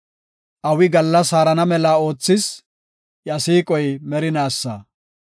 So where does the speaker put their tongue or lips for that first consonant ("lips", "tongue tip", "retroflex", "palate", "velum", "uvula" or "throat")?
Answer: throat